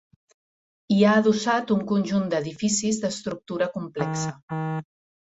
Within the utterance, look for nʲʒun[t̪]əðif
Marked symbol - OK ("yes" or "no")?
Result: no